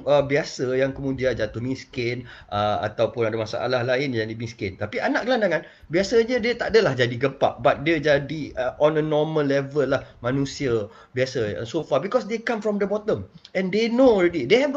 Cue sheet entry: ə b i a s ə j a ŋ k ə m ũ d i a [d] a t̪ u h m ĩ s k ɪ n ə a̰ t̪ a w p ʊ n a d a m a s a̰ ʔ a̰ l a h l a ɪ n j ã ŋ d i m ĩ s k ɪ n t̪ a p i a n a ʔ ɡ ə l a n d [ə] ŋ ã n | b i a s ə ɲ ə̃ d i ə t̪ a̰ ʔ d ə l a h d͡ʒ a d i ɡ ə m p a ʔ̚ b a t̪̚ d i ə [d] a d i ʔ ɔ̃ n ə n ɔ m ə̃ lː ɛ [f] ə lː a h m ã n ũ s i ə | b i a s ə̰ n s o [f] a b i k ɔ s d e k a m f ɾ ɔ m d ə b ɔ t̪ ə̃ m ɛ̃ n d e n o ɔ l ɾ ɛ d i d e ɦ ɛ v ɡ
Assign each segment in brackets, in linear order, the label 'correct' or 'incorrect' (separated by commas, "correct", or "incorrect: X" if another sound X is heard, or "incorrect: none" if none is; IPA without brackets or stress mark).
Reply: incorrect: d͡ʒ, incorrect: a, incorrect: d͡ʒ, incorrect: v, correct